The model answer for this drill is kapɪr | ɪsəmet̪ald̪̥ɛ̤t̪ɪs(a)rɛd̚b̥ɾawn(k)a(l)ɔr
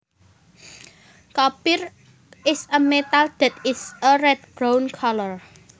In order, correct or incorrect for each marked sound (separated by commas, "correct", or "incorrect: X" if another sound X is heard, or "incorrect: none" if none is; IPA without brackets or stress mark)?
incorrect: ə, incorrect: kʰ, correct